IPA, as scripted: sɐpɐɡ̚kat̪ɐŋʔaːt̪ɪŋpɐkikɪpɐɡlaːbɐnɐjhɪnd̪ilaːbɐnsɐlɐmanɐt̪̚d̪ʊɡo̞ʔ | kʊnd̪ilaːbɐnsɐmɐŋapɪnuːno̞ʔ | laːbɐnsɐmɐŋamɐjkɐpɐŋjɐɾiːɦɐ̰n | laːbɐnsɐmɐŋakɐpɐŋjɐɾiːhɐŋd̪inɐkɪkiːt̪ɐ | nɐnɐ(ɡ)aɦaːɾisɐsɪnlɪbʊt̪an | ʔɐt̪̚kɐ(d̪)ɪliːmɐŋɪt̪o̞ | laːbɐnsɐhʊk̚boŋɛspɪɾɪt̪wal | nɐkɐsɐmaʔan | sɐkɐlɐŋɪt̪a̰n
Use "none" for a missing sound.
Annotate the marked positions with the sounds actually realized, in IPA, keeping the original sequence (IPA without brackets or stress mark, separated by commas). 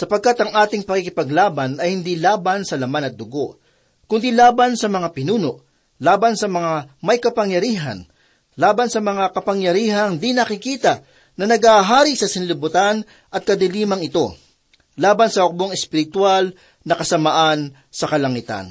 ɡ, d̪